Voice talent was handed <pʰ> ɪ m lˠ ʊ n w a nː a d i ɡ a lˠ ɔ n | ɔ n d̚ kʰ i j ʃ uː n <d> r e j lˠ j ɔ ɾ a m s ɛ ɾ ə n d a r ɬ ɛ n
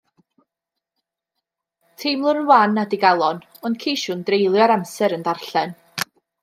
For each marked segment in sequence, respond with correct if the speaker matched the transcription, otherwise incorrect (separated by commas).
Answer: incorrect, correct